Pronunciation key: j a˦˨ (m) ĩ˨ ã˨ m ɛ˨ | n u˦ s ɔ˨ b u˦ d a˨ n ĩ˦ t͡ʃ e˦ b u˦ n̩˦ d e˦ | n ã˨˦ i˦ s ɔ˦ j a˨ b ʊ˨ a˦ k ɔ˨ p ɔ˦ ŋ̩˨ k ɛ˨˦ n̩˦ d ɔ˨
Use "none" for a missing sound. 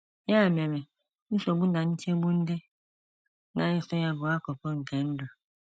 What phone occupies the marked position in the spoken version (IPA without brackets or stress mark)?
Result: m